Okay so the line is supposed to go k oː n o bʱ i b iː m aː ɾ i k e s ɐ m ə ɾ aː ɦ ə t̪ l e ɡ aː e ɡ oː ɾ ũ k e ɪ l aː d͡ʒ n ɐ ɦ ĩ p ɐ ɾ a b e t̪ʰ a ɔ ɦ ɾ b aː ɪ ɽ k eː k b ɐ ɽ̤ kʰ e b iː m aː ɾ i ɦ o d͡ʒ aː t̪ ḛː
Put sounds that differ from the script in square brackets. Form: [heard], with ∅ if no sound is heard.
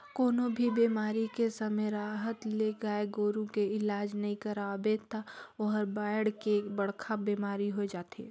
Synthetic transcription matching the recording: k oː n o bʱ i b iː m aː ɾ i k e s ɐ m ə ɾ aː ɦ ə t̪ l e ɡ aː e ɡ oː ɾ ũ k e ɪ l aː d͡ʒ n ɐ ɦ ĩ [k] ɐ ɾ a b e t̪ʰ a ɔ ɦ ɾ b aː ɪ ɽ k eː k b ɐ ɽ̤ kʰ [a] b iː m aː ɾ i ɦ o d͡ʒ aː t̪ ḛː